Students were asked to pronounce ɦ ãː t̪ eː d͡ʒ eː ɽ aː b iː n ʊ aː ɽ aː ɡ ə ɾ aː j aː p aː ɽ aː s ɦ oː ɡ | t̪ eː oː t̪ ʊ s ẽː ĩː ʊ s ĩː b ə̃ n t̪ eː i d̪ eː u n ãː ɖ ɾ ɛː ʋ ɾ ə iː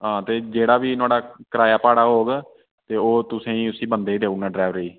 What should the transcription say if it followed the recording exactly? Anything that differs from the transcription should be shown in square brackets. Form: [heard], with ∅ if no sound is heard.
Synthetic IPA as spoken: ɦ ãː t̪ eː d͡ʒ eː ɽ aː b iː n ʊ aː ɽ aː [k] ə ɾ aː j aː p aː ɽ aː [∅] ɦ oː ɡ | t̪ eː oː t̪ ʊ s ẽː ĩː ʊ s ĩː b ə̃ n [d̪] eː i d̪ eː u n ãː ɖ ɾ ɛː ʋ ɾ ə iː